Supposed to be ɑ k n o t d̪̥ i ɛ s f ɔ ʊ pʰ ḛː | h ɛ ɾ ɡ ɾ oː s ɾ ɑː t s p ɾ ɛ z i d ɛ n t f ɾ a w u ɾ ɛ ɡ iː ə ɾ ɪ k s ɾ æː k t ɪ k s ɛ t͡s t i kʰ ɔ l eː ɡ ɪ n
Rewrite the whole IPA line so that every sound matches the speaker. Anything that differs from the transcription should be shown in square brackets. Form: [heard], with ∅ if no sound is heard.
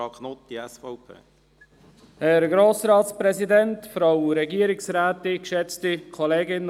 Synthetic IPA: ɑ k n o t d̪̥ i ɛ s f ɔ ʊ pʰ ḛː | h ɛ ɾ ɡ ɾ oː s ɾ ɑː t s p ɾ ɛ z i d ɛ n t f ɾ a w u ɾ ɛ ɡ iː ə ɾ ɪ k s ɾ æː [∅] t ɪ k [ʃ] ɛ t͡s t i kʰ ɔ l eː ɡ ɪ n